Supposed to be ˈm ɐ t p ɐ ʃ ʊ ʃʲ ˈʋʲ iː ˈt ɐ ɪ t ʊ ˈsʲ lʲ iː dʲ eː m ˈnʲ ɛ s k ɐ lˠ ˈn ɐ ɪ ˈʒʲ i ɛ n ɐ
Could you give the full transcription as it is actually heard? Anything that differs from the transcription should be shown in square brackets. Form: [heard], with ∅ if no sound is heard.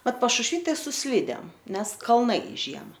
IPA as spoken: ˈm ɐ t p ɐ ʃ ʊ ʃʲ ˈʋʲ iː ˈt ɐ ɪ [s] ʊ ˈsʲ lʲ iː dʲ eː m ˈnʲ ɛ s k ɐ lˠ ˈn ɐ ɪ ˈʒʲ i ɛ [m] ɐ